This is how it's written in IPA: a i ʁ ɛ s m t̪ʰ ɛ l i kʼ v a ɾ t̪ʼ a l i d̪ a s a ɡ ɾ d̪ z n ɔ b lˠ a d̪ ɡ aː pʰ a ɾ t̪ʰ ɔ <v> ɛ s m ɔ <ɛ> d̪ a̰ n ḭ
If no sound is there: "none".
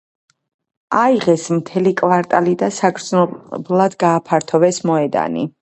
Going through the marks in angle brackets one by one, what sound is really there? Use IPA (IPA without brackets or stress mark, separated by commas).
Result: v, ɛ